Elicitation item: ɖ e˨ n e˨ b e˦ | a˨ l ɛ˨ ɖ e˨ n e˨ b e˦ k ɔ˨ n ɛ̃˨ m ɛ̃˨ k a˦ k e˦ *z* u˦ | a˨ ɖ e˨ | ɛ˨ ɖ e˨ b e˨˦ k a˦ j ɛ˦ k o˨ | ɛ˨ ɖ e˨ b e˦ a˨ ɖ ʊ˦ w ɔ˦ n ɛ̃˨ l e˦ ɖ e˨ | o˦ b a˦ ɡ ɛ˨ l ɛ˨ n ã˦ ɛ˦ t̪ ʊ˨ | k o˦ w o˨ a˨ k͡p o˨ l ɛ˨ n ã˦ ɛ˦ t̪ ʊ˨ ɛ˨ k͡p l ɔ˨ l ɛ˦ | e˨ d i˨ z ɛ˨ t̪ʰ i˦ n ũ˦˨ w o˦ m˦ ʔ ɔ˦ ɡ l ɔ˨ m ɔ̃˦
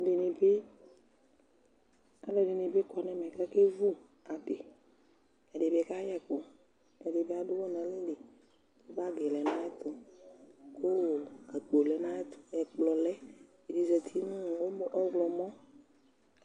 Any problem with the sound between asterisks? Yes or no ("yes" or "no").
yes